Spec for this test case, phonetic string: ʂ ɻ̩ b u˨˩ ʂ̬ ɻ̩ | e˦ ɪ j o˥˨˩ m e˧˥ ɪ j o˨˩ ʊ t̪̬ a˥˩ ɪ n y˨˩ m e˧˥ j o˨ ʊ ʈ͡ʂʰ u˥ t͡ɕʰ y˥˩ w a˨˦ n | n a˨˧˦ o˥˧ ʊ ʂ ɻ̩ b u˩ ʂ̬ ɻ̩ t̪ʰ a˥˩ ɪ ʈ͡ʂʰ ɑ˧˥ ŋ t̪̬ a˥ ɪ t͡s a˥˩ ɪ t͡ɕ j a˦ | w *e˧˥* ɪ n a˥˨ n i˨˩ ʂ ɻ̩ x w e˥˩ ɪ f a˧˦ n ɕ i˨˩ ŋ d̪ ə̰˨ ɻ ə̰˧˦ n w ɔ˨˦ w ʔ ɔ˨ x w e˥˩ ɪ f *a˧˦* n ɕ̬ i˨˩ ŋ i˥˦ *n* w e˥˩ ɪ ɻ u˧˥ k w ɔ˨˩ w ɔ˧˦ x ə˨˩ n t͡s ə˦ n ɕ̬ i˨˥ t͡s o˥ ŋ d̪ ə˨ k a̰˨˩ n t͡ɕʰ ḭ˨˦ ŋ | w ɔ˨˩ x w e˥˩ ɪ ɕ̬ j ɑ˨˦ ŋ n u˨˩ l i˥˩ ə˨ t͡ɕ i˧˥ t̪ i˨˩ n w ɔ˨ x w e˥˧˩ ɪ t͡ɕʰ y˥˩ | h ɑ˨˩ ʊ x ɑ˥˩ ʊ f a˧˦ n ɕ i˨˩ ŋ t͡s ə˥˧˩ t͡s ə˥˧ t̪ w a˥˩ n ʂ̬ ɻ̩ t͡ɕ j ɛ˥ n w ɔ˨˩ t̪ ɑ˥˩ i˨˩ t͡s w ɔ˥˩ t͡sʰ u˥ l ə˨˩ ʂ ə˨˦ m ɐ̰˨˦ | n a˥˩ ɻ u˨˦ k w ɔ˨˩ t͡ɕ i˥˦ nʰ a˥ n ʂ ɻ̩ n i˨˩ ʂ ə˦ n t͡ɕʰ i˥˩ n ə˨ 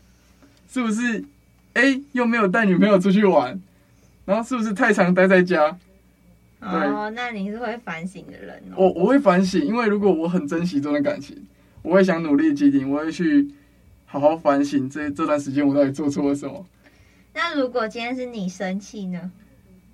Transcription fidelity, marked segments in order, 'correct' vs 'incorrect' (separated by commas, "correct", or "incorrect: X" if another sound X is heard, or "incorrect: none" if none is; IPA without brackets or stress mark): incorrect: e˥˩, correct, correct